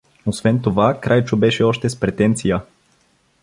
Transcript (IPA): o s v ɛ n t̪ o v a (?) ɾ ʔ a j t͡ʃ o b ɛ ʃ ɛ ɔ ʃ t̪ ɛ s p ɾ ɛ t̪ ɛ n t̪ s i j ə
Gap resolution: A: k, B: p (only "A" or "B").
A